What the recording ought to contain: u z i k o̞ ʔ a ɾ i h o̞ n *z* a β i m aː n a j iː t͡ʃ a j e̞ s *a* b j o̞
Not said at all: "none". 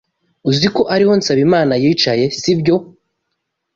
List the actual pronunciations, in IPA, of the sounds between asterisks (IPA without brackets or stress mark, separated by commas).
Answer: s, i